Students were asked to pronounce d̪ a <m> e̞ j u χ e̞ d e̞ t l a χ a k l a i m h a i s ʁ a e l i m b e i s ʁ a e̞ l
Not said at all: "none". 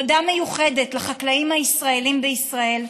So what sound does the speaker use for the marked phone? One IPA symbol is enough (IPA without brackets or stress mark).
m